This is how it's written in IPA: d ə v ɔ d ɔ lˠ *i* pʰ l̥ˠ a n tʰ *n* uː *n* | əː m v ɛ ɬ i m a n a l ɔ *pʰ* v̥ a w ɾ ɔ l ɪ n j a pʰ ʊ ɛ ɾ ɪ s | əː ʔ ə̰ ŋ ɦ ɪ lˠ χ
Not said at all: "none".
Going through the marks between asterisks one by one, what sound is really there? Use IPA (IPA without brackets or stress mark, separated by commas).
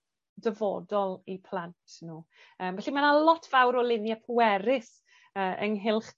i, n, none, tʰ